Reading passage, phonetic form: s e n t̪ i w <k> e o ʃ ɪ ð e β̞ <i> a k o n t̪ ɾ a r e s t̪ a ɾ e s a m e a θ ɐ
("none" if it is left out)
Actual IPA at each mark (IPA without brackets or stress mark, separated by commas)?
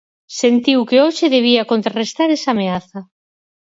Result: k, i